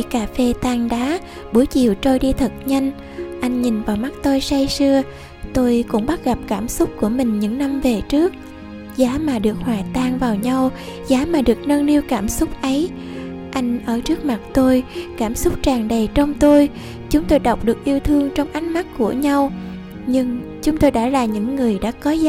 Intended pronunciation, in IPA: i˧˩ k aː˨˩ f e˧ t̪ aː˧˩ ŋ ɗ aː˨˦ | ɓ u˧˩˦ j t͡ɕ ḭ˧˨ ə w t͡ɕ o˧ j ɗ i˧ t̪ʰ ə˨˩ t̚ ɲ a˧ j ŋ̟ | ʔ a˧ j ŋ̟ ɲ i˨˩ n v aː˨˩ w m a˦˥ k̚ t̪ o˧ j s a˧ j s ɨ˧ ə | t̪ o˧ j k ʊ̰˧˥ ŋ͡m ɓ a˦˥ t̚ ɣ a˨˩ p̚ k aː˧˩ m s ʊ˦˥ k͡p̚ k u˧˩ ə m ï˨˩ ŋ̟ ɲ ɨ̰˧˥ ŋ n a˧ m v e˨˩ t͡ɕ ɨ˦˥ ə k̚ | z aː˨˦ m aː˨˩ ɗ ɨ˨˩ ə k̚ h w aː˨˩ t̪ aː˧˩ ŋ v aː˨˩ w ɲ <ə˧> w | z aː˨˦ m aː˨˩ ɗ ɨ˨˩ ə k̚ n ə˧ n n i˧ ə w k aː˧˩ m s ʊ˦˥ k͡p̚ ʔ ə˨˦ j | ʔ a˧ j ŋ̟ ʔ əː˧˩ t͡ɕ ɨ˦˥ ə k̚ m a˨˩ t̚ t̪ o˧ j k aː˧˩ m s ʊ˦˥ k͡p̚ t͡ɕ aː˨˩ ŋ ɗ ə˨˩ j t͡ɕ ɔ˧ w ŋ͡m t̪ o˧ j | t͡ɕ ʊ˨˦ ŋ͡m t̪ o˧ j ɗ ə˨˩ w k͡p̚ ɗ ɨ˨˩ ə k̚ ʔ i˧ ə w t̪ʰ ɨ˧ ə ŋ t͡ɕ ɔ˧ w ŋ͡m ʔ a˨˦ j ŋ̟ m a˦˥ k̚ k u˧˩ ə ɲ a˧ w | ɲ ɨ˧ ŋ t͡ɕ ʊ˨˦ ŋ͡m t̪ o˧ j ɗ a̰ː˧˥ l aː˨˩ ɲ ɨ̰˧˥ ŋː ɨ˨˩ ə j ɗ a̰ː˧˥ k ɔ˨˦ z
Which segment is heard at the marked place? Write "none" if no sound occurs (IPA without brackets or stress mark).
a˧